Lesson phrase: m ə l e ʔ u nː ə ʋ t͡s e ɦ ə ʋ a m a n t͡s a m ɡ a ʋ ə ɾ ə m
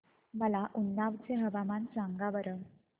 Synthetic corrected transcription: m ə l a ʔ u nː a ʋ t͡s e ɦ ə ʋ a m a n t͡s a ŋ ɡ a ʋ ə ɾ ə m